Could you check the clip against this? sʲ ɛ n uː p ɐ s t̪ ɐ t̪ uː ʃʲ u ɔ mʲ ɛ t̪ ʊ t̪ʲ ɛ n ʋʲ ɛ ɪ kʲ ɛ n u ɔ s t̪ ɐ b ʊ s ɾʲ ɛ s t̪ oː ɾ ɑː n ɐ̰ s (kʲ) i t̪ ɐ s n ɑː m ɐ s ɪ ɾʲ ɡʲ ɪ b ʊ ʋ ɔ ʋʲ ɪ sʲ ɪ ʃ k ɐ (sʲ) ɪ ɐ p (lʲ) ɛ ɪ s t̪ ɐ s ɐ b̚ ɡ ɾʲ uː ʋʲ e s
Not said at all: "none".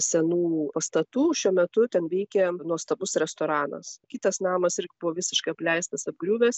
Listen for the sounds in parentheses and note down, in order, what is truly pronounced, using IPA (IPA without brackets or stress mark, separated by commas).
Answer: kʲ, none, lʲ